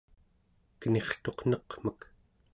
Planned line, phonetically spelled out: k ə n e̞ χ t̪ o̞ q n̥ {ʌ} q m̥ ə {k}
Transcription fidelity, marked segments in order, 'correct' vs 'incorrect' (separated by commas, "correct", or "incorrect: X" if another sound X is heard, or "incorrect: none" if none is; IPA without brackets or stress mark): correct, correct